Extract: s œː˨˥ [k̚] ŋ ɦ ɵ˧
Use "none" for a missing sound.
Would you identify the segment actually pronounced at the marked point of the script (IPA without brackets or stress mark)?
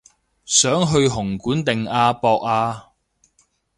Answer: none